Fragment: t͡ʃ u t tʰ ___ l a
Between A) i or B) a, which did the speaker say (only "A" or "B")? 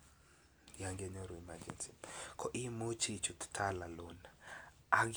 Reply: B